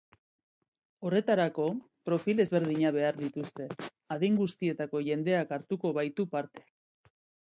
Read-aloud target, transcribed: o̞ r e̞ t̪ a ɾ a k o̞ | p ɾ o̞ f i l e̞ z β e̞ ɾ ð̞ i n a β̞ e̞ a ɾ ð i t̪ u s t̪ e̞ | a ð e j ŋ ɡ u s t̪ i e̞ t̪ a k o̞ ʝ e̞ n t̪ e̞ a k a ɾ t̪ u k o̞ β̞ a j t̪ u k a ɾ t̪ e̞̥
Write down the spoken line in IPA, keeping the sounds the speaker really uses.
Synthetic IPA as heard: o̞ r e̞ t̪ a ɾ a k o̞ | p ɾ o̞ f i l e̞ z β e̞ ɾ ð̞ i ɲ a β̞ e̞ a ɾ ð i t̪ u s t̪ e̞ | a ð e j ŋ ɡ u s t̪ i e̞ t̪ a k o̞ ʝ e̞ n d̪ e̞ a k a ɾ t̪ u k o̞ β̞ a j t̪ u p a ɾ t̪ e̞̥